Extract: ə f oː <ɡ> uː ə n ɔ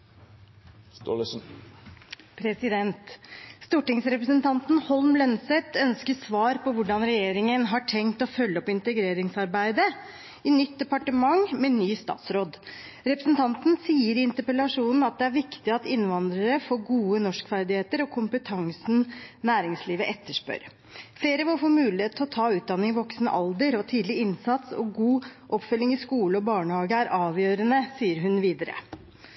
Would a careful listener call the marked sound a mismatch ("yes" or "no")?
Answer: no